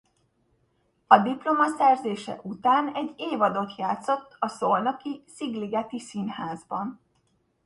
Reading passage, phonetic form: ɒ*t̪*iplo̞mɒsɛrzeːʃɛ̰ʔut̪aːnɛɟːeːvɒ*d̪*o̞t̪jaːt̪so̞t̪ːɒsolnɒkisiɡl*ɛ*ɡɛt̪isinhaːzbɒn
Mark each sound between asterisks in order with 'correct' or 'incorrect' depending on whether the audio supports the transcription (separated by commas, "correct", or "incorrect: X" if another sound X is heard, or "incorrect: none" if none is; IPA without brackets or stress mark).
incorrect: d̪, correct, incorrect: i